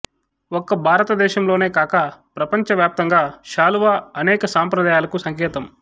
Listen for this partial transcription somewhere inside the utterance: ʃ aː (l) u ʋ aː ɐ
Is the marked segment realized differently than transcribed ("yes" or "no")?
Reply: no